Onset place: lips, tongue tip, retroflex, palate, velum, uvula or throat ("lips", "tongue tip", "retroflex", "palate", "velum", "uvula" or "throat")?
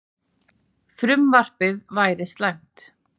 lips